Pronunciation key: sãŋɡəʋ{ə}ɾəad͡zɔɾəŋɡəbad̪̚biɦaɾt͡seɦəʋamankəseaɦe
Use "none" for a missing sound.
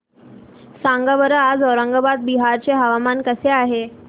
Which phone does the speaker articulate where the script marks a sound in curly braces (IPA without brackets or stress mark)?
ə